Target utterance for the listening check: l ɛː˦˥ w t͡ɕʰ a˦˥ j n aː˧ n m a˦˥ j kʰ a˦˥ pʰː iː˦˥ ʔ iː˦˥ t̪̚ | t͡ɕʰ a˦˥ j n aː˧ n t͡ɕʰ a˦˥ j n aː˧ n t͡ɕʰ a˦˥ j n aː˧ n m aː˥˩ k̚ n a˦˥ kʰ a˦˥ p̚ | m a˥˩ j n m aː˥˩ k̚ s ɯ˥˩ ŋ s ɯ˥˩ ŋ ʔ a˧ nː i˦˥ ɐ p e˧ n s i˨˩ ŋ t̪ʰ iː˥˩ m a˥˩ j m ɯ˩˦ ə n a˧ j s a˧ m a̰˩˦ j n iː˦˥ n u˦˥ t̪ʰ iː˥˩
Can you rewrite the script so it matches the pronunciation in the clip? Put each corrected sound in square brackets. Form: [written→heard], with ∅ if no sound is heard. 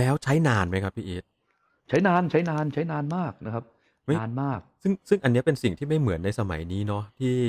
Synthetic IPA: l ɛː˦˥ w t͡ɕʰ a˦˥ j n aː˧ n m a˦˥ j kʰ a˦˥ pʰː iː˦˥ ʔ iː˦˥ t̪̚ | t͡ɕʰ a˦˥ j n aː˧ n t͡ɕʰ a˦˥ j n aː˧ n t͡ɕʰ a˦˥ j n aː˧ n m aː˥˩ k̚ n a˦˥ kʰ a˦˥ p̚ | m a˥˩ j n m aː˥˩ k̚ s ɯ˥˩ ŋ s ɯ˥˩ ŋ ʔ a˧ nː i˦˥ ɐ p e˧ n s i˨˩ ŋ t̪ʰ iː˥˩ m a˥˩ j m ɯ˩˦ ə [n→nː] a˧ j s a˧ m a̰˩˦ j n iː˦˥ n [u˦˥→ɔ˦˥] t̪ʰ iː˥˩